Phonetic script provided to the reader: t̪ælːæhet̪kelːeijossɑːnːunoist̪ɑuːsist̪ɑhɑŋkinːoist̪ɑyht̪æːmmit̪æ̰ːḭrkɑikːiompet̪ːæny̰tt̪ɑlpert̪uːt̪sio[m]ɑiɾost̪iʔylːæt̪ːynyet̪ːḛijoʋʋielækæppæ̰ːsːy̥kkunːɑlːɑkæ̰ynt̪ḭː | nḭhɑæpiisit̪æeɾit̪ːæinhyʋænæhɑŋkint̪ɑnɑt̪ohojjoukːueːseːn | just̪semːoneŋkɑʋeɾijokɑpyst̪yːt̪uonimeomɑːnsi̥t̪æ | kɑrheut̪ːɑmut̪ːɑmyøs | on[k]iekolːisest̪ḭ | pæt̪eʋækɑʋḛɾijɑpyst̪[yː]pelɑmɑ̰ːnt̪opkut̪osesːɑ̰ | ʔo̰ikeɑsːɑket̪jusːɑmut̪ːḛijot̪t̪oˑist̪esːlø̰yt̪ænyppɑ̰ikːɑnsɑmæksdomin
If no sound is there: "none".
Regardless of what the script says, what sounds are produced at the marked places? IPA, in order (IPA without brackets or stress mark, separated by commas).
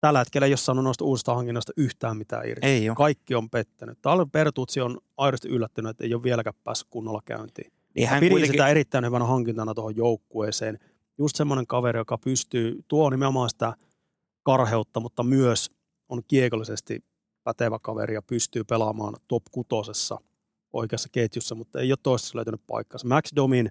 n, k, yː